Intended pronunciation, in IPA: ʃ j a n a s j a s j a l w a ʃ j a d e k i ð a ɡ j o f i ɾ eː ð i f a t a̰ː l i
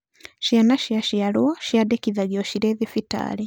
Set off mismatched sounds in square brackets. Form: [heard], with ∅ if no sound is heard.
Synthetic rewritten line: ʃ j a n a [ʃ] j a [ʃ] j a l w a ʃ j a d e k i ð a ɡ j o [ʃ] i ɾ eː ð i f [i] t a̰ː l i